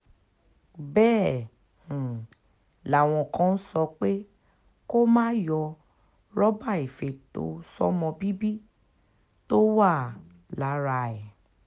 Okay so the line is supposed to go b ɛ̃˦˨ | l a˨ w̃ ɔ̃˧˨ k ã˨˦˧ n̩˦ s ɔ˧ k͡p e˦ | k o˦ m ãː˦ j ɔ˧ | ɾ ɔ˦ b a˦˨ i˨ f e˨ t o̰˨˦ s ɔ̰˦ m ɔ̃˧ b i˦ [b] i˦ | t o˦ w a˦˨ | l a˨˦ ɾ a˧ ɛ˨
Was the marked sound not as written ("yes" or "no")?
no